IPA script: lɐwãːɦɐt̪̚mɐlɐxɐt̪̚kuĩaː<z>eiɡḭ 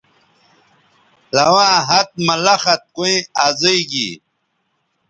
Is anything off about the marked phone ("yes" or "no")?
no